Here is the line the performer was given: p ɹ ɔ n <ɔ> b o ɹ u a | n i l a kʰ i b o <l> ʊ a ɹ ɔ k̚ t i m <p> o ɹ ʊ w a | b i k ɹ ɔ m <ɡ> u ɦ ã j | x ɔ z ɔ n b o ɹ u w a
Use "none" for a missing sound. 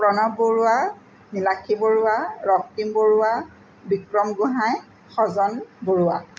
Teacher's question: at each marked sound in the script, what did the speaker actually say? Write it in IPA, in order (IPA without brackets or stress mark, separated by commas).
ɔ, ɹ, b, ɡ